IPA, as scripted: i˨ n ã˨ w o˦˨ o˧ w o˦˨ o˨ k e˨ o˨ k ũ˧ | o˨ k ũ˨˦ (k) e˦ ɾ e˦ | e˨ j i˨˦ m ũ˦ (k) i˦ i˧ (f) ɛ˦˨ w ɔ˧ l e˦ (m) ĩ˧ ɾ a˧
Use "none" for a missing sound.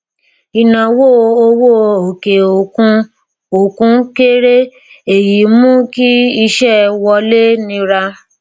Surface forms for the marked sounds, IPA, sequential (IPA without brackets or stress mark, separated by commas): k, k, ʃ, n